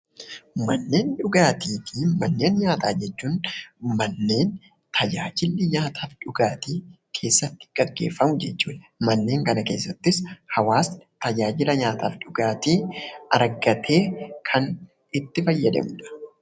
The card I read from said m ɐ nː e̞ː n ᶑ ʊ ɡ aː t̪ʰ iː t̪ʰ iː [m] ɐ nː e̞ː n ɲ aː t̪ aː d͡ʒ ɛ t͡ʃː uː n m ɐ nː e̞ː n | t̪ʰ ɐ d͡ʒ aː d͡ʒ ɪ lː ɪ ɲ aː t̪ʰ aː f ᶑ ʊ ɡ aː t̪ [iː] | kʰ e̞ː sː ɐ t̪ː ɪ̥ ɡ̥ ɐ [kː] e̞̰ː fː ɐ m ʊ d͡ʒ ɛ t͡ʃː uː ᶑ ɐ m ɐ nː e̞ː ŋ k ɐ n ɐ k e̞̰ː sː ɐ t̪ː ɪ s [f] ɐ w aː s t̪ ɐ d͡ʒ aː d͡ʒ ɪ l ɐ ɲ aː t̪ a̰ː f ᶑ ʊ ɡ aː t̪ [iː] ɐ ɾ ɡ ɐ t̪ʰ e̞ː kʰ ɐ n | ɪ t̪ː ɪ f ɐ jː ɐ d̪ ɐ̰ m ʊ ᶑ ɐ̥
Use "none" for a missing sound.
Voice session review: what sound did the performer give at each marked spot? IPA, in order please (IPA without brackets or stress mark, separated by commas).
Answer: m, iː, ɡː, h, iː